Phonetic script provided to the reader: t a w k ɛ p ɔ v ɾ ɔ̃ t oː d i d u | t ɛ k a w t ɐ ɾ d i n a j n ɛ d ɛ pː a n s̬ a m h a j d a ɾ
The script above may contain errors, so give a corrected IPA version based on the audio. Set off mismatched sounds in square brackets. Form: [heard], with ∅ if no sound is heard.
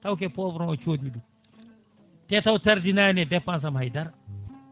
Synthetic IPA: t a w k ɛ p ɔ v ɾ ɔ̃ [t͡ʃ] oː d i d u | t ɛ [t] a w t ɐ ɾ d i n a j n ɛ d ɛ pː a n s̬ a m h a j d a ɾ